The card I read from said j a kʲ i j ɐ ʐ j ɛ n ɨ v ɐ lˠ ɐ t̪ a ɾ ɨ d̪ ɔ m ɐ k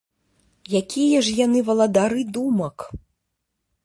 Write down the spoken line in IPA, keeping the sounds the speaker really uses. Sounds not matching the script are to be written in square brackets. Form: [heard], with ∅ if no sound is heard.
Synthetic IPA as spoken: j a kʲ i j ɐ ʐ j [a] n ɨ v ɐ lˠ ɐ [d̪] a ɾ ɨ d̪ [u] m ɐ k